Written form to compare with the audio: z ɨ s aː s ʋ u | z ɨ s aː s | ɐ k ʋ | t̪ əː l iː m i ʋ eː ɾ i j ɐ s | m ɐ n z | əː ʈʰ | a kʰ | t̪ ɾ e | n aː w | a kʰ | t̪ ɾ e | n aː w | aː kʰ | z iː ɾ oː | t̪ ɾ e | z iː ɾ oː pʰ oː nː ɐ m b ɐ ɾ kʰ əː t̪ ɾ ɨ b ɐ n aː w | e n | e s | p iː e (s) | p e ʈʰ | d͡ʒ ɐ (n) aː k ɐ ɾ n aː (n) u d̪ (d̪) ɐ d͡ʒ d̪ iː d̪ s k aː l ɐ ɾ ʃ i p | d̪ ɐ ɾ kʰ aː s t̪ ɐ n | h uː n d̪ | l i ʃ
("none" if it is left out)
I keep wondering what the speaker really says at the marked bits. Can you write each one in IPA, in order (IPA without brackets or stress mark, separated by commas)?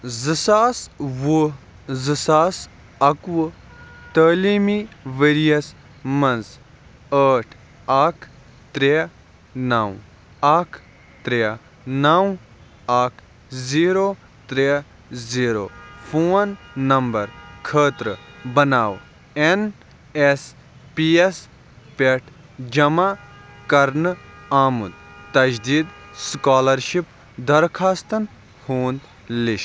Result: s, m, m, t̪